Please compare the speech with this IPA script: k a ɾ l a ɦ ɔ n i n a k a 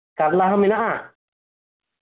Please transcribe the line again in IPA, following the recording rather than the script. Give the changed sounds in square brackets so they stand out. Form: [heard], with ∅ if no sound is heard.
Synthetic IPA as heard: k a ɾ l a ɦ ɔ [m] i n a [ʔ] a